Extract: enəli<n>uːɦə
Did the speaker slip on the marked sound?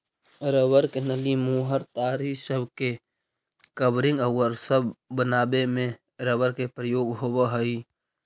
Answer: yes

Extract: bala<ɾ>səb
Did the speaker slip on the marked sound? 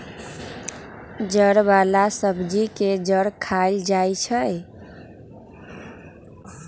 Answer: yes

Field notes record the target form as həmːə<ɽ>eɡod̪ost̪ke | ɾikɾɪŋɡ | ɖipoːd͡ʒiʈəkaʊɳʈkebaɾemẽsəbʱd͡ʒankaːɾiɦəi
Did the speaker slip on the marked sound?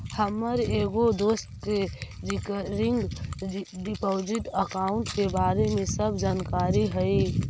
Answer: yes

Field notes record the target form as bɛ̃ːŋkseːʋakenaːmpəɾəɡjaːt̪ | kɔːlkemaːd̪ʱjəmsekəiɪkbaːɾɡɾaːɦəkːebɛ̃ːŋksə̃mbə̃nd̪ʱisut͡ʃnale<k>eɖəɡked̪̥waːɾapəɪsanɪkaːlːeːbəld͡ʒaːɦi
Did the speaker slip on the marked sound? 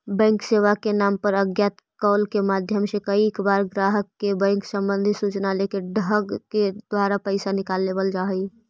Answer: no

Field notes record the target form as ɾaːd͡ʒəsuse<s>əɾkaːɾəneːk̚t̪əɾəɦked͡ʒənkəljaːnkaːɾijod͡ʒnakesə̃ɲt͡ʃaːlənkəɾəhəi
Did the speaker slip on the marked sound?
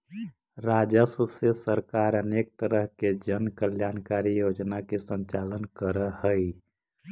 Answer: no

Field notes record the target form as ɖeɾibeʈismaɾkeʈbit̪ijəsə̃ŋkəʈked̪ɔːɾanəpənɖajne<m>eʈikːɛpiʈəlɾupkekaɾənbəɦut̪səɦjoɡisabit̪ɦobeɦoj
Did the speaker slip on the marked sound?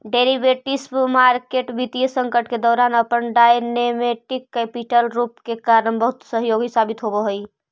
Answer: no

